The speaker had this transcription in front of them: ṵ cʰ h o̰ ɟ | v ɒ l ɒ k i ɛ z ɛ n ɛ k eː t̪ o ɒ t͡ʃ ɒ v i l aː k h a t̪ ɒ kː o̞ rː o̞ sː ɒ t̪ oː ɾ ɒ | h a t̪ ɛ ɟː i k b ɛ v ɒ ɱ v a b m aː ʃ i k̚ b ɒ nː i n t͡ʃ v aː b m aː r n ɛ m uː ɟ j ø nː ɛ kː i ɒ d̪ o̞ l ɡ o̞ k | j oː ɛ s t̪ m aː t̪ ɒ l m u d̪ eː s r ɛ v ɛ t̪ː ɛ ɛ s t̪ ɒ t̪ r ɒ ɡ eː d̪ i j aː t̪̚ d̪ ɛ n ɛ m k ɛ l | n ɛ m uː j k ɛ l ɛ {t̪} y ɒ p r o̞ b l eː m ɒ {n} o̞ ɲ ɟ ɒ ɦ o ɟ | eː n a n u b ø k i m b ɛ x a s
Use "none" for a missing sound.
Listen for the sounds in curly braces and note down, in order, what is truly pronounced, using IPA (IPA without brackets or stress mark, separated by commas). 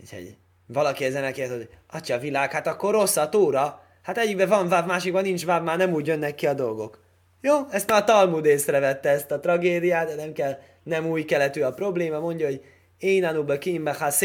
t̪, m